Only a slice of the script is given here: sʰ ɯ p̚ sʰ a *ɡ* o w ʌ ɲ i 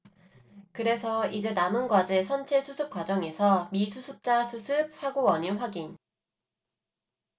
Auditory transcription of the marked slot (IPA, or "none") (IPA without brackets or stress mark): ɡ